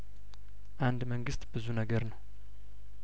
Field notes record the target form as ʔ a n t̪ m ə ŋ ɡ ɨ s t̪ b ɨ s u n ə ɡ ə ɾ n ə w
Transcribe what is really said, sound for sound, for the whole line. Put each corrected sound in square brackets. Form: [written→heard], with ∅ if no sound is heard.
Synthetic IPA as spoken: ʔ a n [t̪→d̪] m ə ŋ ɡ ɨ s t̪ b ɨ [s→z] u n ə ɡ ə ɾ n ə w